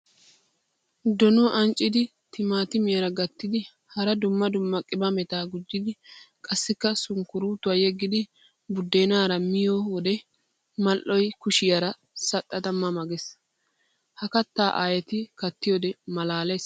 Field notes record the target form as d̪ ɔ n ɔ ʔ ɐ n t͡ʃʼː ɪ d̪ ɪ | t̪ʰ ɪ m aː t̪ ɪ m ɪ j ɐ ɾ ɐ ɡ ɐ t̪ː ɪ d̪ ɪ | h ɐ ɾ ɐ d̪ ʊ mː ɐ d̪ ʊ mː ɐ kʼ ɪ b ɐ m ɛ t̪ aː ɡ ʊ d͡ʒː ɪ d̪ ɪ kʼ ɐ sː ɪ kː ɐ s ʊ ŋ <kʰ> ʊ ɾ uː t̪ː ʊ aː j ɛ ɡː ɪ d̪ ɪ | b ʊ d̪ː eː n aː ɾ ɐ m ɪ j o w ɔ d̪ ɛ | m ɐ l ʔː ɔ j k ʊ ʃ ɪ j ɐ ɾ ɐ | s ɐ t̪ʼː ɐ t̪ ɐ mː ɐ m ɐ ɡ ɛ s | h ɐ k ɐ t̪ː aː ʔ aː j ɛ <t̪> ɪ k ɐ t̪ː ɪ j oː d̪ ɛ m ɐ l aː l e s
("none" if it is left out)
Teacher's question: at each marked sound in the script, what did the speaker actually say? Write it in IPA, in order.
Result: k, t̪

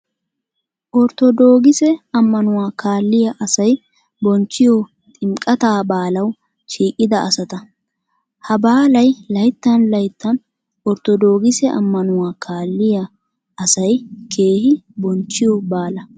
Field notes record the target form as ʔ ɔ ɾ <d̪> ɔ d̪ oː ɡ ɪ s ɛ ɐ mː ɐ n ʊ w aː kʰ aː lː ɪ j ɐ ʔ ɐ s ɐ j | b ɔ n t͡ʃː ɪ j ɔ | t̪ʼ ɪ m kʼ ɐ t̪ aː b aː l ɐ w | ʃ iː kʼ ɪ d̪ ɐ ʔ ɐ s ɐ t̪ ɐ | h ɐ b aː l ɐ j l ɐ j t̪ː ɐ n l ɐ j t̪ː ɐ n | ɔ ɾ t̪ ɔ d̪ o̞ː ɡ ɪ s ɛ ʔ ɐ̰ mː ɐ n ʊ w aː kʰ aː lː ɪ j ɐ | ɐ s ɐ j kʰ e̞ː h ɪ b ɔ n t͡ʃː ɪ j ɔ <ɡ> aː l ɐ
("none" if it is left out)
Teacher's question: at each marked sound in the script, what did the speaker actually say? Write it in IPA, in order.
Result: t̪, b

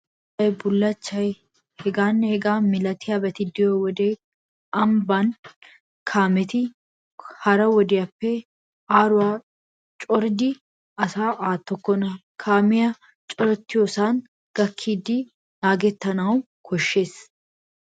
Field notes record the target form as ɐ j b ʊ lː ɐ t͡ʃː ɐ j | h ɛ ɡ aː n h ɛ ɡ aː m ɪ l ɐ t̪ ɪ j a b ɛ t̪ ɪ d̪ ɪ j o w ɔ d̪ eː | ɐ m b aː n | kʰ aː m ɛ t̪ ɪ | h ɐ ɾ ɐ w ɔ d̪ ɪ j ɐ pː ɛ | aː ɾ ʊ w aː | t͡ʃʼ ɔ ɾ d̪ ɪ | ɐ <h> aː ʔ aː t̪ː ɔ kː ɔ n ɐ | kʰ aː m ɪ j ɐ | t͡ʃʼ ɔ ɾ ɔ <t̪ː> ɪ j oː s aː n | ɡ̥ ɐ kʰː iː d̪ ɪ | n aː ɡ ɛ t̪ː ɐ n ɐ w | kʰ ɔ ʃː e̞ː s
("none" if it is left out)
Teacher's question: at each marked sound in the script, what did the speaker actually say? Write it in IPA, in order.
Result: s, t̪ː

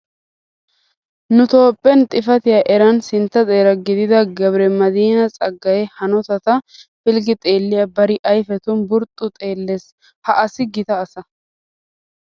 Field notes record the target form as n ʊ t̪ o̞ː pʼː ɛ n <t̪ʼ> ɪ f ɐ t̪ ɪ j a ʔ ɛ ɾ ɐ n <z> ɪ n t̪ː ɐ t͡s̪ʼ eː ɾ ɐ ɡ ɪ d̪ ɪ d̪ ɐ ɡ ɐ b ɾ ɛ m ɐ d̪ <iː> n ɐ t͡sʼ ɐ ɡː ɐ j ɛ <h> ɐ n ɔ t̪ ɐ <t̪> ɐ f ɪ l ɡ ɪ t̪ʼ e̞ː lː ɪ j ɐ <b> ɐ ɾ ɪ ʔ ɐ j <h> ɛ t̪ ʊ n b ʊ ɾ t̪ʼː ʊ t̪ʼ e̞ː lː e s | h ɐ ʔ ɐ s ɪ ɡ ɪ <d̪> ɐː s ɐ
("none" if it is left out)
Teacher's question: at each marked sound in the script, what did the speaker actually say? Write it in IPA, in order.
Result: t̪ʼ, s, iː, h, t̪, b, f, t̪

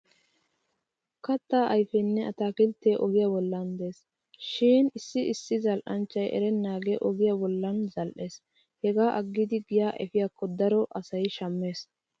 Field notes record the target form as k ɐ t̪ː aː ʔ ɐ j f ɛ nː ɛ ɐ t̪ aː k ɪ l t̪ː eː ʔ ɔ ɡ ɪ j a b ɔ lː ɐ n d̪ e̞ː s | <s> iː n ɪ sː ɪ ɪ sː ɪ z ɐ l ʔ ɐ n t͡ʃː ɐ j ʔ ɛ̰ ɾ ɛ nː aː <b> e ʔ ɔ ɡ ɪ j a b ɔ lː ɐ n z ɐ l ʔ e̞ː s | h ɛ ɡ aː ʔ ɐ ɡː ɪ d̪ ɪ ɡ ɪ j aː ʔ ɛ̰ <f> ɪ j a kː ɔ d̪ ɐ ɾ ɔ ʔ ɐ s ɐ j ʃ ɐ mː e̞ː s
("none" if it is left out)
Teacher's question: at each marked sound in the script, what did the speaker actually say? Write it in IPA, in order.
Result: ʃ, ɡ, f

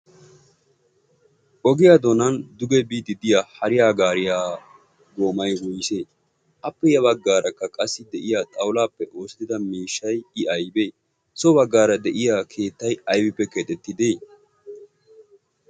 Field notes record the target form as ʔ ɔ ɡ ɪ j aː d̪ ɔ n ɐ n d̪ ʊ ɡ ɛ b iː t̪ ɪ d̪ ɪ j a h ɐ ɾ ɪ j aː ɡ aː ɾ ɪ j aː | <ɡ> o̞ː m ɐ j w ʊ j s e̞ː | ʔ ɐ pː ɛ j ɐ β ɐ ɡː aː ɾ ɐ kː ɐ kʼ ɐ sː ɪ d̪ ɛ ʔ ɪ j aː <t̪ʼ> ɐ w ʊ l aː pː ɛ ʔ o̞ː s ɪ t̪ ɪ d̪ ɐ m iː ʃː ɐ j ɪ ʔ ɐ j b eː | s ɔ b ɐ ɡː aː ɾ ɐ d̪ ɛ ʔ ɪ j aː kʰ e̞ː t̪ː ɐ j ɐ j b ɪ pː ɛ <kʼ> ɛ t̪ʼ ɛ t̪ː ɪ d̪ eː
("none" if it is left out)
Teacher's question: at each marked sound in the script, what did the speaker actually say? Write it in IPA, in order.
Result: ɡ, t̪ʼ, k

